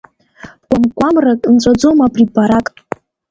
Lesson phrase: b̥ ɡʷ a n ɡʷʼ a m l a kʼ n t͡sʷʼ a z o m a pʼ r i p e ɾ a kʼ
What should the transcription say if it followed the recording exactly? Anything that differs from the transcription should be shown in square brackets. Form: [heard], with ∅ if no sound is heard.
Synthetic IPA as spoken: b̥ ɡʷ a [m] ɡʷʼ a m [r] a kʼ n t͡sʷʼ a [d͡z] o m a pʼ r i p [a] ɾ a kʼ